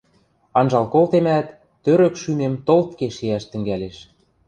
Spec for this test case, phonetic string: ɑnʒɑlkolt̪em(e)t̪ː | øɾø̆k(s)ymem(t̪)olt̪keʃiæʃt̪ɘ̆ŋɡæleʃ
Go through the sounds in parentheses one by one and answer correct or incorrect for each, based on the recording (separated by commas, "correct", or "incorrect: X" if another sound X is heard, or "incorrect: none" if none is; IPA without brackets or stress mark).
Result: incorrect: æ, incorrect: ʃ, correct